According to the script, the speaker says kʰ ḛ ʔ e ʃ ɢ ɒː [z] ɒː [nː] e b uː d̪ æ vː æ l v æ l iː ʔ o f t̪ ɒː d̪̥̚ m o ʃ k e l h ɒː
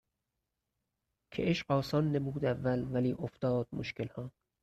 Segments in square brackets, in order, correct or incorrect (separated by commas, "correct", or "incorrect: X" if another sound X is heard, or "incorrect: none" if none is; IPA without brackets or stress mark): incorrect: s, correct